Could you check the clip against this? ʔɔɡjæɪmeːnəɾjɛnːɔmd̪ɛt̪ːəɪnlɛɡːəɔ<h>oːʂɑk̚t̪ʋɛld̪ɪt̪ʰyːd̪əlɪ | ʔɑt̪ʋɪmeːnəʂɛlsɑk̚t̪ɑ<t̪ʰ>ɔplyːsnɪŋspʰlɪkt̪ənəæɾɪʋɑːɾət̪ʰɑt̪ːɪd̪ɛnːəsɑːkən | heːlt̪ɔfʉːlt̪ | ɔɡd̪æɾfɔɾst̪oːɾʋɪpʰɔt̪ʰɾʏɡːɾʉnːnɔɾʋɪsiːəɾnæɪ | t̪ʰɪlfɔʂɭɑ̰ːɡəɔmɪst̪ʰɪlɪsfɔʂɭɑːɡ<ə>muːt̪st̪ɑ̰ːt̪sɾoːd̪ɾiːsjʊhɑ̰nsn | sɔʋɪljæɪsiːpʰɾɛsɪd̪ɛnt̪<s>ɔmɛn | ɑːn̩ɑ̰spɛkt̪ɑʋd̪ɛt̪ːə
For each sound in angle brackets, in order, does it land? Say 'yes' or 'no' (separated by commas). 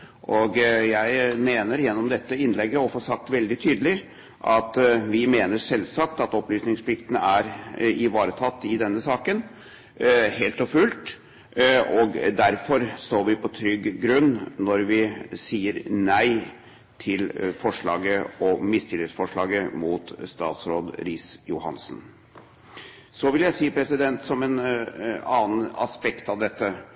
no, no, yes, yes